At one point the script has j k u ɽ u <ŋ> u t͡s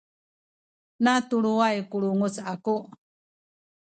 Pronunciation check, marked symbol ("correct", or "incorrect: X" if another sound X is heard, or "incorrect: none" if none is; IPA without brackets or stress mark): correct